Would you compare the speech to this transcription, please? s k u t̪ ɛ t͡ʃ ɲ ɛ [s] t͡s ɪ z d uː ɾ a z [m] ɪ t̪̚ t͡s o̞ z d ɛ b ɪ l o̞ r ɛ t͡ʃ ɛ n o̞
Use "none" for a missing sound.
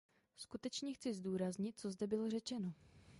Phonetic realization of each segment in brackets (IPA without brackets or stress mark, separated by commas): x, ɲ